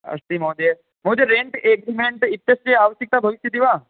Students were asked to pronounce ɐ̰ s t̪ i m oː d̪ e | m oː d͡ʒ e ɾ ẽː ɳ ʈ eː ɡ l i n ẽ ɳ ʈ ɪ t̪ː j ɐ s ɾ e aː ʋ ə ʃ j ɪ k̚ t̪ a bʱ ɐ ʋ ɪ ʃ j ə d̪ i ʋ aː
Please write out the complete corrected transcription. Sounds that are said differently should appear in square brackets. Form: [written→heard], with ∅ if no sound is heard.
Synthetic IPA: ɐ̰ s t̪ i m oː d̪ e | m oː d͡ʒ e ɾ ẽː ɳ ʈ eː ɡ [l→ɾ] i [n→m] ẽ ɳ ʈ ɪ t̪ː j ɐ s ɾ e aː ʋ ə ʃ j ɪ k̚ t̪ a bʱ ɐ ʋ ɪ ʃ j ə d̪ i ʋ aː